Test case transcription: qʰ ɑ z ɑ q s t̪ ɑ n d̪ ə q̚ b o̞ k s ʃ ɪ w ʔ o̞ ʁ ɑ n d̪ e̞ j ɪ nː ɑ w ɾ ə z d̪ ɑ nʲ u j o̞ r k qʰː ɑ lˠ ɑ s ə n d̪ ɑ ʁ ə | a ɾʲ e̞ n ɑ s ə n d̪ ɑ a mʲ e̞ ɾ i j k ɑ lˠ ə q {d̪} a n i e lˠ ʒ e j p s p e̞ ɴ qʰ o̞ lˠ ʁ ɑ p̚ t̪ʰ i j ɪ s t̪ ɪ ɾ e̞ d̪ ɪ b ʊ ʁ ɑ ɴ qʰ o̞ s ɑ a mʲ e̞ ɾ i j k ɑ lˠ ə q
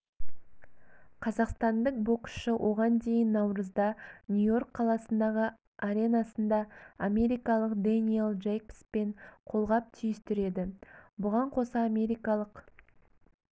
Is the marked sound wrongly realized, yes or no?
no